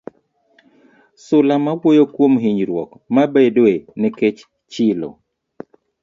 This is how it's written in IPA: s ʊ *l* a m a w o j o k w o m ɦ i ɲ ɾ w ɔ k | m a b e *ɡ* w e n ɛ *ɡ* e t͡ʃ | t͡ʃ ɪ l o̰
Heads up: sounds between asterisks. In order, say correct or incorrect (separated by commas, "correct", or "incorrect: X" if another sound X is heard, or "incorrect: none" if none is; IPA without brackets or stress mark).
correct, incorrect: d, incorrect: k